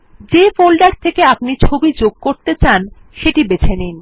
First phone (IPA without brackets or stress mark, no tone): d͡ʑ